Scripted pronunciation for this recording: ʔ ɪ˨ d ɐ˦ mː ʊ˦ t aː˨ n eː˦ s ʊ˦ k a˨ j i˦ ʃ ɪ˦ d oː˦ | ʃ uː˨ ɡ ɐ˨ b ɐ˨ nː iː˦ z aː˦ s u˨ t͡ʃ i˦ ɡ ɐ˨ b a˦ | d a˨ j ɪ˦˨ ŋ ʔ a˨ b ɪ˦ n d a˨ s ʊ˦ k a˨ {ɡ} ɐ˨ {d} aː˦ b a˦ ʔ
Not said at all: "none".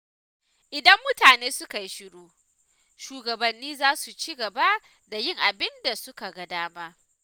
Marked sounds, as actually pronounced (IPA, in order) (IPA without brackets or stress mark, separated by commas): ɡ, d